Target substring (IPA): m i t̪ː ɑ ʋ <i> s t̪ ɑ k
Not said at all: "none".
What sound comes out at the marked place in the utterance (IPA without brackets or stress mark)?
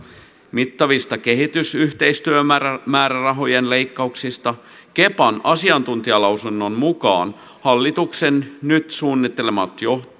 i